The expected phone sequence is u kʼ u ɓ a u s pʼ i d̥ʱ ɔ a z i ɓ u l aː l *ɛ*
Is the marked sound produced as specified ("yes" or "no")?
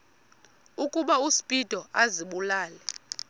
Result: yes